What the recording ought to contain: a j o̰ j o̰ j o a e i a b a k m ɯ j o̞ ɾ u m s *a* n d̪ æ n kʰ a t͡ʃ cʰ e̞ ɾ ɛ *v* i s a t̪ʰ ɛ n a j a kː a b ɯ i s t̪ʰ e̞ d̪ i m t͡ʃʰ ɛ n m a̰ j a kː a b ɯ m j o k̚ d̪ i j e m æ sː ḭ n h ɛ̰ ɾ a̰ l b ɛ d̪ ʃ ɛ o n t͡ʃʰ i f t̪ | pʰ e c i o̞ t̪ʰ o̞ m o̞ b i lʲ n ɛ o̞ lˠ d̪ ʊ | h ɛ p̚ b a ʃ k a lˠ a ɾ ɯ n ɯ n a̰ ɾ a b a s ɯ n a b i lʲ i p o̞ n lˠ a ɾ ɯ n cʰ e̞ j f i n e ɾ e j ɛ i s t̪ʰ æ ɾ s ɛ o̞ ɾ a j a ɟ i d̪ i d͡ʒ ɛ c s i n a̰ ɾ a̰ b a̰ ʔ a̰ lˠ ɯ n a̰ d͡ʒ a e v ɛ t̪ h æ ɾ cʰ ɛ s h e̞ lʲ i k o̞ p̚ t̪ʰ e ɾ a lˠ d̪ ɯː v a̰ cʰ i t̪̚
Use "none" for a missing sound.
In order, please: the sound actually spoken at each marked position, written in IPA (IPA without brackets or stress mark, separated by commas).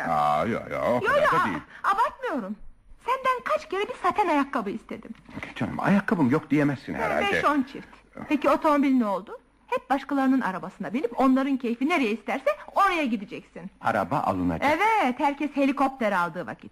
æ, b